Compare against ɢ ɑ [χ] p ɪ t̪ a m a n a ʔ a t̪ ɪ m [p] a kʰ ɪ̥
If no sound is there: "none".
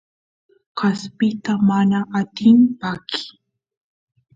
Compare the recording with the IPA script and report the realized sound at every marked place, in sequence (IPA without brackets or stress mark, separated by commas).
s, p